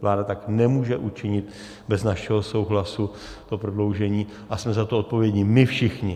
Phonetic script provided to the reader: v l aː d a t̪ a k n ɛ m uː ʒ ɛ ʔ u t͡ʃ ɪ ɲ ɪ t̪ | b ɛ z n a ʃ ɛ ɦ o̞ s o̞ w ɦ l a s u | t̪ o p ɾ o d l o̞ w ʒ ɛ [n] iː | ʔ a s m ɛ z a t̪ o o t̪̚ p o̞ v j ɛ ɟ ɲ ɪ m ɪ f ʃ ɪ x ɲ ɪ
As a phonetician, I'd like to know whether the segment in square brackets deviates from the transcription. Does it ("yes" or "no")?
yes